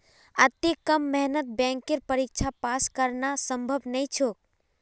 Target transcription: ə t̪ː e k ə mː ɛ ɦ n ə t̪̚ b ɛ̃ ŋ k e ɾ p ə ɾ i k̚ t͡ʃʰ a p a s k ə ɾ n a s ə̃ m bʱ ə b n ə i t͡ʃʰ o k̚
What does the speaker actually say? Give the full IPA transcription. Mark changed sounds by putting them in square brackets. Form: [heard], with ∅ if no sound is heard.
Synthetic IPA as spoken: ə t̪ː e k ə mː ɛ ɦ n ə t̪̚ b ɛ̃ ŋ k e ɾ p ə ɾ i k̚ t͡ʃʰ a p a s k ə ɾ n a s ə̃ m bʱ ə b n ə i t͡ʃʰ o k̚